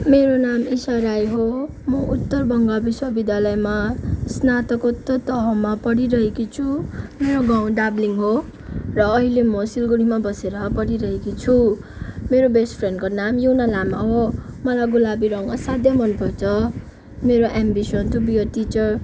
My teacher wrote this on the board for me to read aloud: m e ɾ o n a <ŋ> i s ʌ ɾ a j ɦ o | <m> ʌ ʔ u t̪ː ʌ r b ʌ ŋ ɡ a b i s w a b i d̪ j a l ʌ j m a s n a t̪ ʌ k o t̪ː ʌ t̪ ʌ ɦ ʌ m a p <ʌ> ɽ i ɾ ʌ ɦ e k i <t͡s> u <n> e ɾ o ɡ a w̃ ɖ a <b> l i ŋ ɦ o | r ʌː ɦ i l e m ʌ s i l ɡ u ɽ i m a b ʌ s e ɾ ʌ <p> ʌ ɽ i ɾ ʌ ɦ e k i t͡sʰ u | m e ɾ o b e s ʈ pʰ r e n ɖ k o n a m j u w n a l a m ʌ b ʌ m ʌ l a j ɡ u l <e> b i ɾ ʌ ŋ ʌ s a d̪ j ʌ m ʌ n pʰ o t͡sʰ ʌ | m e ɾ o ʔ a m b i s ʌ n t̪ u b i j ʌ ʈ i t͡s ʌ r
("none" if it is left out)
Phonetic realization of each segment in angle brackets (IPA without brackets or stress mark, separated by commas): m, m, ʌ, t͡sʰ, m, b, p, a